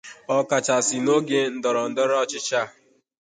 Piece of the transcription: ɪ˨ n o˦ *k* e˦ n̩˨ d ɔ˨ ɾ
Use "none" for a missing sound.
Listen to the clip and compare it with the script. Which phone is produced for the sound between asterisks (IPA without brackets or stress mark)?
ɡ